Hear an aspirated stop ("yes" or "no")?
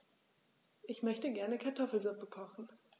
yes